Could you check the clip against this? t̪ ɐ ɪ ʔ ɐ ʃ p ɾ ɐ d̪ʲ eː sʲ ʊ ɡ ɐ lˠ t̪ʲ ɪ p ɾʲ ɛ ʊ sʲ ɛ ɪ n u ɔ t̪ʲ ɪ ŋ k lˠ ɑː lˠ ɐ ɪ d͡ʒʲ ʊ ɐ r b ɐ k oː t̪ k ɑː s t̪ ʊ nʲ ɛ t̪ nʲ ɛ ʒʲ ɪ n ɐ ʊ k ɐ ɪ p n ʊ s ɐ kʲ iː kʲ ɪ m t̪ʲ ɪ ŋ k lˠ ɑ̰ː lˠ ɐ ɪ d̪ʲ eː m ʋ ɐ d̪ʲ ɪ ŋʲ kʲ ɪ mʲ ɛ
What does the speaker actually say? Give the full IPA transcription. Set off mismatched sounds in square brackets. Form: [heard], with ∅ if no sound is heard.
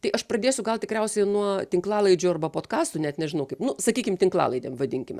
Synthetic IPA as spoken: t̪ ɐ ɪ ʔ ɐ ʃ p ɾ ɐ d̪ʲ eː sʲ ʊ ɡ ɐ lˠ t̪ʲ ɪ [k] ɾʲ ɛ ʊ sʲ ɛ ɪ n u ɔ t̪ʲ ɪ ŋ k lˠ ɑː lˠ ɐ ɪ d͡ʒʲ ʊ ɐ r b ɐ [p] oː t̪ k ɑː s t̪ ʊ nʲ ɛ t̪ nʲ ɛ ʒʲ ɪ n ɐ ʊ k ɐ ɪ p n ʊ s ɐ kʲ iː kʲ ɪ m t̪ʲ ɪ ŋ k lˠ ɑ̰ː lˠ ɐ ɪ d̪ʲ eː m ʋ ɐ d̪ʲ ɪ ŋʲ kʲ ɪ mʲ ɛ

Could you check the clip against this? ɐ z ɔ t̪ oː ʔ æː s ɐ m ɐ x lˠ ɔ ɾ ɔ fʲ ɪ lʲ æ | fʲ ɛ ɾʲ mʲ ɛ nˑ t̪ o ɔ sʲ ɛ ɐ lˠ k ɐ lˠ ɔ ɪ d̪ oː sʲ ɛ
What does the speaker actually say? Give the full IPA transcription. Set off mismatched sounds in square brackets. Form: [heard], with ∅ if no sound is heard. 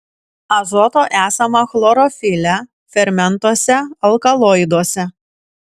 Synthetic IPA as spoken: ɐ z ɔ t̪ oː ʔ æː s ɐ m ɐ x lˠ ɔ ɾ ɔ fʲ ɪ lʲ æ | fʲ ɛ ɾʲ mʲ ɛ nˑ t̪ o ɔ sʲ ɛ ɐ lˠ k ɐ lˠ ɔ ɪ d̪ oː sʲ ɛ

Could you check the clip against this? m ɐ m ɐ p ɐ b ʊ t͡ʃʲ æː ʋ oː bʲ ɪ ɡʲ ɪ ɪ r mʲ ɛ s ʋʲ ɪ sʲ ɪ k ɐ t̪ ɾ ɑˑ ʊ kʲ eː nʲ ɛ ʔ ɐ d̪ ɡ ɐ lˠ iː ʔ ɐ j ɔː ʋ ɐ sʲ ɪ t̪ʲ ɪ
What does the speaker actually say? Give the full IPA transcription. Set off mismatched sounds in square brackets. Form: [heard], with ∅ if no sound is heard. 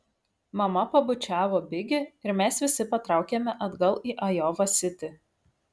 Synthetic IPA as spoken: m ɐ m ɐ p ɐ b ʊ t͡ʃʲ æː ʋ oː bʲ ɪ ɡʲ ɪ ɪ [ɾ] mʲ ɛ s ʋʲ ɪ sʲ ɪ [p] ɐ t̪ ɾ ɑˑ ʊ kʲ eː [mʲ] ɛ ʔ ɐ d̪ ɡ ɐ lˠ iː ʔ ɐ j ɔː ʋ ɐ sʲ ɪ t̪ʲ ɪ

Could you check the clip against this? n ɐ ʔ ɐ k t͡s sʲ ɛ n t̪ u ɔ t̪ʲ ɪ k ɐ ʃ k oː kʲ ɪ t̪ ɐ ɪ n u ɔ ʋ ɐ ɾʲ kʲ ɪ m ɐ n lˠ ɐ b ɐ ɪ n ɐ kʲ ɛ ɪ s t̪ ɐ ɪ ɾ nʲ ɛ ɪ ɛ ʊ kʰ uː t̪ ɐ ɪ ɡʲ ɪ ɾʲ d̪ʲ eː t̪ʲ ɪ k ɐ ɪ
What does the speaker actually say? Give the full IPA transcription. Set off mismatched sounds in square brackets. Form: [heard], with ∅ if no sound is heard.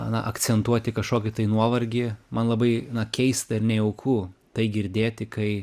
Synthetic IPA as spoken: n ɐ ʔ ɐ k t͡s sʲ ɛ n t̪ u ɔ t̪ʲ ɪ k ɐ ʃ k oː kʲ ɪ t̪ ɐ ɪ n u ɔ ʋ ɐ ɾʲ [ɡʲ] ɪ m ɐ n lˠ ɐ b ɐ ɪ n ɐ kʲ ɛ ɪ s t̪ ɐ ɪ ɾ nʲ ɛ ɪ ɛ ʊ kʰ uː t̪ ɐ ɪ ɡʲ ɪ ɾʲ d̪ʲ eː t̪ʲ ɪ k ɐ ɪ

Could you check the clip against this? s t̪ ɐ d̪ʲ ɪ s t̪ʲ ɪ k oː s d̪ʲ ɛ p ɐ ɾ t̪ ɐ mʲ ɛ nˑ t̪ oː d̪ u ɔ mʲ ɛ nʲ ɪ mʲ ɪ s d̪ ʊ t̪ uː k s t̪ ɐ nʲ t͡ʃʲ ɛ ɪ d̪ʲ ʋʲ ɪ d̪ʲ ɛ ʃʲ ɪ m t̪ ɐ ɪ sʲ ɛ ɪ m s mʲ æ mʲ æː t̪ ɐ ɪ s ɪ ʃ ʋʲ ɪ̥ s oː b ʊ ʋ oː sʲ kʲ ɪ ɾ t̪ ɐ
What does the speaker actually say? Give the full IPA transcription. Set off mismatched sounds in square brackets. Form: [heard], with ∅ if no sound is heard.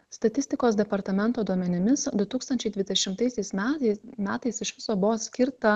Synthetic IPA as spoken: s t̪ ɐ [t̪ʲ] ɪ s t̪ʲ ɪ k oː s d̪ʲ ɛ p ɐ ɾ t̪ ɐ mʲ ɛ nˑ t̪ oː d̪ u ɔ mʲ ɛ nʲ ɪ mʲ ɪ s d̪ ʊ t̪ uː k s t̪ ɐ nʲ t͡ʃʲ ɛ ɪ d̪ʲ ʋʲ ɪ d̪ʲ ɛ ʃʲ ɪ m t̪ ɐ ɪ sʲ ɛ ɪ [∅] s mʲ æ mʲ æː t̪ ɐ ɪ s ɪ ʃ ʋʲ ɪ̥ s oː b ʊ ʋ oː sʲ kʲ ɪ ɾ t̪ ɐ

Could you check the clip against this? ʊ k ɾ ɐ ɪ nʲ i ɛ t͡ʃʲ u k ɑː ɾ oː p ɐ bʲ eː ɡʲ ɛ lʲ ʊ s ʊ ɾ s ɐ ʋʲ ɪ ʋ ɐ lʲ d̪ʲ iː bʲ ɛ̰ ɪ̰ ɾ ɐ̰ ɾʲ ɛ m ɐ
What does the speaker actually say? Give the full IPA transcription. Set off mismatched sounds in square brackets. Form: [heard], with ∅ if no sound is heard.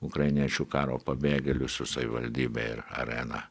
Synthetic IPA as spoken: ʊ k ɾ ɐ ɪ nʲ i ɛ t͡ʃʲ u k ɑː ɾ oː p ɐ bʲ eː ɡʲ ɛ lʲ ʊ s ʊ [∅] s ɐ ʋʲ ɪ ʋ ɐ lʲ d̪ʲ iː bʲ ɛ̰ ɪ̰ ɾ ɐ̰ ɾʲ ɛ [n] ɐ

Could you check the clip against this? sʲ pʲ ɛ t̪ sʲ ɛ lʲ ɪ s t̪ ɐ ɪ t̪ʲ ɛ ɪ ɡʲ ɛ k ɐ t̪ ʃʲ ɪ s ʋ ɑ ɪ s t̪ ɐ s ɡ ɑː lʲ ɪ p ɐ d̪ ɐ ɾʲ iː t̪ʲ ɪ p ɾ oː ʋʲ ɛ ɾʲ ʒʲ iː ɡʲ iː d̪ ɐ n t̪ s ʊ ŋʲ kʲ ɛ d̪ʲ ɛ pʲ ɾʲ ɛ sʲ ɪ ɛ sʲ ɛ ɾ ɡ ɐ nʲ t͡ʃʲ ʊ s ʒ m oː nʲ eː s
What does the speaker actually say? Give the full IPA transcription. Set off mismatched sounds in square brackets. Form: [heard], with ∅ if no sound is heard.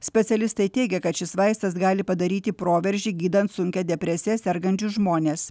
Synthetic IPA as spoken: sʲ pʲ ɛ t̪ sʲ ɛ lʲ ɪ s t̪ ɐ ɪ t̪ʲ ɛ ɪ ɡʲ ɛ k ɐ t̪ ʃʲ ɪ s ʋ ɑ ɪ s t̪ ɐ s ɡ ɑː lʲ ɪ p ɐ d̪ ɐ ɾʲ iː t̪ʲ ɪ p ɾ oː ʋʲ ɛ ɾʲ ʒʲ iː ɡʲ iː d̪ ɐ n t̪ s ʊ ŋʲ kʲ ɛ d̪ʲ ɛ pʲ ɾʲ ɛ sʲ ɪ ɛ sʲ ɛ ɾ ɡ ɐ nʲ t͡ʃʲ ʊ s ʒ m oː nʲ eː s

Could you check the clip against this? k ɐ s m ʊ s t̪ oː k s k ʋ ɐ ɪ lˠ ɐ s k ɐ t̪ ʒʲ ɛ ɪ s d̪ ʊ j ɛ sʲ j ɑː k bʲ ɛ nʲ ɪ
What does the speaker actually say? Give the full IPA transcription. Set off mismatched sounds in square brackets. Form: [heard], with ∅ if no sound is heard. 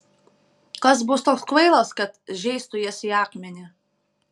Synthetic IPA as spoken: k ɐ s [b] ʊ s t̪ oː k s k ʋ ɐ ɪ lˠ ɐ s k ɐ t̪ ʒʲ ɛ ɪ s [t̪] ʊ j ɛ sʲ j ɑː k [mʲ] ɛ nʲ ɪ

